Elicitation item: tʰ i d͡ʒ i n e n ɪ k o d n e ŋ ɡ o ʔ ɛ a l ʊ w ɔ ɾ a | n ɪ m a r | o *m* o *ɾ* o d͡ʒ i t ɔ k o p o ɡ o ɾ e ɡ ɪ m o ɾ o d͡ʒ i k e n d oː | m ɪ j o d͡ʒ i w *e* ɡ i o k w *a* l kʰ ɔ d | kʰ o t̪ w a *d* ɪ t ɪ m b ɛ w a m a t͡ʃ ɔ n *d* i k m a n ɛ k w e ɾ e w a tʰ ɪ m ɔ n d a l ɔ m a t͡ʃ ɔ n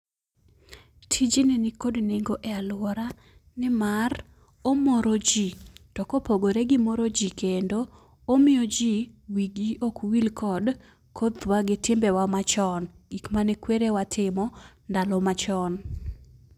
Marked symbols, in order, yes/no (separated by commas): yes, yes, no, no, no, no